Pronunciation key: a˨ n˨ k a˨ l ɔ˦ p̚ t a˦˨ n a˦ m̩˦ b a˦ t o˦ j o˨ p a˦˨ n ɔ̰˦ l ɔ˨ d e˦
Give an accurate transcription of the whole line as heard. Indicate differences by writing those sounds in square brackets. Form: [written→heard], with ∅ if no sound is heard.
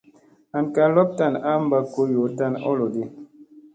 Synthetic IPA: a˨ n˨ k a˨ l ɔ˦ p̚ t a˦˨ n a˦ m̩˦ b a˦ [t→k] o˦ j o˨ [p→t] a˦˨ n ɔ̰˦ l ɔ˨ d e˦

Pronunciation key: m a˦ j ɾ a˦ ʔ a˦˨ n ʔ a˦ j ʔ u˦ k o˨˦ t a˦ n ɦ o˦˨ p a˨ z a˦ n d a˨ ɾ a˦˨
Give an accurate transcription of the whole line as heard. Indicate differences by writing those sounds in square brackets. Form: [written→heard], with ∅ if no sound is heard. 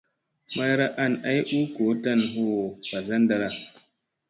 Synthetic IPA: m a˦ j ɾ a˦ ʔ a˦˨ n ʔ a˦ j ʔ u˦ k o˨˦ t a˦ n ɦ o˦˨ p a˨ z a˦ n d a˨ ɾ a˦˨

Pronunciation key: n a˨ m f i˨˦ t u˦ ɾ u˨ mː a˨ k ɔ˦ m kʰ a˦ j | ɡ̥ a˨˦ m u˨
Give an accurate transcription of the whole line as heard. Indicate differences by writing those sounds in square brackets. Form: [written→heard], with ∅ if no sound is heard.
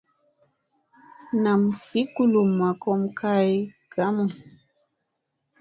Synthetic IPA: n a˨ m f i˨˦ [t→k] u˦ [ɾ→l] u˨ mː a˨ k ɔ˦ m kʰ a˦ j | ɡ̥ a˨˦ m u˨

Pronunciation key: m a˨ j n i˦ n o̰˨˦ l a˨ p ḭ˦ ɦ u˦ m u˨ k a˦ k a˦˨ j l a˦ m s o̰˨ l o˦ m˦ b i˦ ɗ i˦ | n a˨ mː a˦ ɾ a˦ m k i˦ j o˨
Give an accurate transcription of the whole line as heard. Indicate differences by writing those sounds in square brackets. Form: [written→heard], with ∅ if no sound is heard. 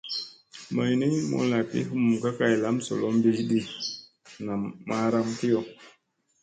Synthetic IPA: m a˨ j n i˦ [n→m] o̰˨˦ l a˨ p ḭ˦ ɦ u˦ m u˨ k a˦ k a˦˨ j l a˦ m s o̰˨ l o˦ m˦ b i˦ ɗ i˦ | n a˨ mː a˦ ɾ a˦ m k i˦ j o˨

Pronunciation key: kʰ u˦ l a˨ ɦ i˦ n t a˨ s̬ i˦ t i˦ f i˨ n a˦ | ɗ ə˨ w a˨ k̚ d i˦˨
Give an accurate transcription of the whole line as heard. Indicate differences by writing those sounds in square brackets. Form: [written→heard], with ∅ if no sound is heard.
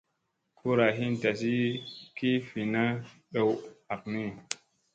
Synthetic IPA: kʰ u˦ [l→ɾ] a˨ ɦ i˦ n t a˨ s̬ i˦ [t→k] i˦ f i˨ n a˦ | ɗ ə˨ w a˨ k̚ [d→n] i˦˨

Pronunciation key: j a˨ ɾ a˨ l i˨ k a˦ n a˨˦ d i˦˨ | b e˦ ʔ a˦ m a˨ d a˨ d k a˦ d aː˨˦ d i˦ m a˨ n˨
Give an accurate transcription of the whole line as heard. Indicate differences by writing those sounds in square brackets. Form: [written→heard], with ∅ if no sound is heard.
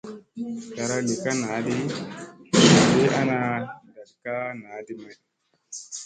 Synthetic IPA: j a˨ ɾ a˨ l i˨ k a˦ n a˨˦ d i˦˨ | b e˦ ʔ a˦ [m→n] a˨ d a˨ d k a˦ [d→n] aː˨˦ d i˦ m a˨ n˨

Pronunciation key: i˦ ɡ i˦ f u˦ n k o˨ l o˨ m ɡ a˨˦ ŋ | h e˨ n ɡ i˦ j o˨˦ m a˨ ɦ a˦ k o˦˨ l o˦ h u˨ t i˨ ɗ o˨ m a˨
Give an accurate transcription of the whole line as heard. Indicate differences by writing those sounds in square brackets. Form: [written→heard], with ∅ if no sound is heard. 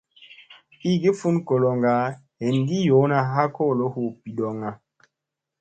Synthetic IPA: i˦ ɡ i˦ f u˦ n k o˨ l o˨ [m→ŋ] ɡ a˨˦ [ŋ→∅] | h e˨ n ɡ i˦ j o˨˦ [m→n] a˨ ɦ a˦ k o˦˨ l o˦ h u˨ [t→p] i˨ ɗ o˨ [m→ŋ] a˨

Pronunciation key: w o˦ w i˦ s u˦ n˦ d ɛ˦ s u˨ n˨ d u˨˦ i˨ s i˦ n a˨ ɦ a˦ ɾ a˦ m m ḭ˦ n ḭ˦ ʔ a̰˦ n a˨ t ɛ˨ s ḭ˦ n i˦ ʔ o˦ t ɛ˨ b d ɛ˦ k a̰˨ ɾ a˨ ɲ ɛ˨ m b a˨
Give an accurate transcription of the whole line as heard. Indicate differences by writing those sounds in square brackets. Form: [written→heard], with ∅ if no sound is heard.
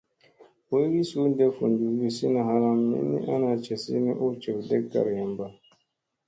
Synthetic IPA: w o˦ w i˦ s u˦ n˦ d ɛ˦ [s→f] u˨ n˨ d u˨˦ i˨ s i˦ n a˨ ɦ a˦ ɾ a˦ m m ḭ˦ n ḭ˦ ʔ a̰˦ n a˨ [t→t͡ʃ] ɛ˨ s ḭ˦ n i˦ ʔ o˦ [t→t͡ʃ] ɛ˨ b d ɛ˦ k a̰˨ ɾ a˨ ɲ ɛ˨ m b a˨

